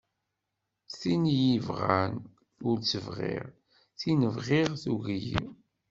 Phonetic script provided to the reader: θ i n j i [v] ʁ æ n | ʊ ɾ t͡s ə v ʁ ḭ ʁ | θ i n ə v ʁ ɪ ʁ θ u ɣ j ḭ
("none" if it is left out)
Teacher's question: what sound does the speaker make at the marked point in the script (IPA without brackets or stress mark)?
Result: v